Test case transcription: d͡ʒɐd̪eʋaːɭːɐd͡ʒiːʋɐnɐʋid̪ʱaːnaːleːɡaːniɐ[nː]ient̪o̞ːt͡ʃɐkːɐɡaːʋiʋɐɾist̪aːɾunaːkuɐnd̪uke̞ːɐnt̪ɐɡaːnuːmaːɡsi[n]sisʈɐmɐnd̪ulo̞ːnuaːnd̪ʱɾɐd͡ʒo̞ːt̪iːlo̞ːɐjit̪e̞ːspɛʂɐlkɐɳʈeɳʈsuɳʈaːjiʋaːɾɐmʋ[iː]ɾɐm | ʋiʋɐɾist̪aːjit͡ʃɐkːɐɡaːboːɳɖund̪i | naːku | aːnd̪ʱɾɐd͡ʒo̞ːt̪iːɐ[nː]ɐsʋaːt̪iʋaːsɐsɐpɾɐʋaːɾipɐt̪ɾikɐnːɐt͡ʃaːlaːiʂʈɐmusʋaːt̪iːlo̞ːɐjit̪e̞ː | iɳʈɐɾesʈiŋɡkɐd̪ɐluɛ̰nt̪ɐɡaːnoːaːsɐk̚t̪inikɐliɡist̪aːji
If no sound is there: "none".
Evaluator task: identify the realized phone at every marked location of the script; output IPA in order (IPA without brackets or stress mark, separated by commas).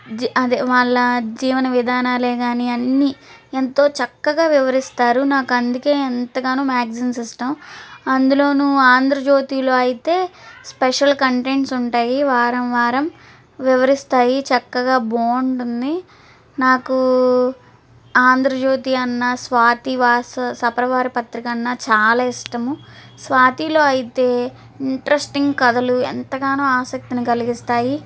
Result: nː, n, aː, nː